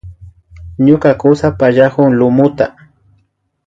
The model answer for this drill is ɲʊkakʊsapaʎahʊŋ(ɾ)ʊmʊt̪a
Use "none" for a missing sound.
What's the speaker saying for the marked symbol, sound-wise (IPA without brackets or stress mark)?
l